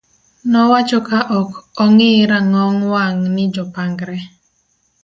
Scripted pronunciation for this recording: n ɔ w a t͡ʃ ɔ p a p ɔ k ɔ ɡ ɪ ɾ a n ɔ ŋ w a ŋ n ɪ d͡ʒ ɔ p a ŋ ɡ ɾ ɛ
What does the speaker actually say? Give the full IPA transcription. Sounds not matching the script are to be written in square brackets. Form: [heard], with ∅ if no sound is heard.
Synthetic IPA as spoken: n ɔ w a t͡ʃ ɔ [k] a [ʔ] ɔ k ɔ [ŋ] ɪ ɾ a [ŋ] ɔ ŋ w a ŋ n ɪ d͡ʒ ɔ p a ŋ ɡ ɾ ɛ